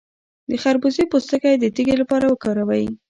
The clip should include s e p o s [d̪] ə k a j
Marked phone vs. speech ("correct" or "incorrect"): incorrect